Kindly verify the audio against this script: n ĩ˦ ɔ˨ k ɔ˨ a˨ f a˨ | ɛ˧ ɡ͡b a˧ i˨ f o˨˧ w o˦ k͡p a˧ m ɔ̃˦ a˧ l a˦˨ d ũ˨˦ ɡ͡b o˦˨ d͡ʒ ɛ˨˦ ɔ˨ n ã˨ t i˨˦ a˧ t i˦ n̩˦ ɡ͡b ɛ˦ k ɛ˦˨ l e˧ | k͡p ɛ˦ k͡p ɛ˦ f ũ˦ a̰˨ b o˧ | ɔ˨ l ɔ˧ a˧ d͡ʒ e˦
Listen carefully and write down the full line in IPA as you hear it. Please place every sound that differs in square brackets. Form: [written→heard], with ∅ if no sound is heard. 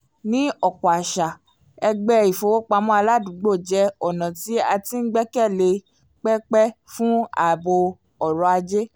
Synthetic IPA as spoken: n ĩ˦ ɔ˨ k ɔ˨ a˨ [f→ʃ] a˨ | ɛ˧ ɡ͡b [a˧→ɛ˧] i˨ f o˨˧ w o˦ k͡p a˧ m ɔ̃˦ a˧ l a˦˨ d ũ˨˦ ɡ͡b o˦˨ d͡ʒ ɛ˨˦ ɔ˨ n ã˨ t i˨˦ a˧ t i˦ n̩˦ ɡ͡b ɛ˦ k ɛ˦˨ l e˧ | k͡p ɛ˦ k͡p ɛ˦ f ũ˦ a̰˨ b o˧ | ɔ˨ [l→ɾ] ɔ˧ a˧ d͡ʒ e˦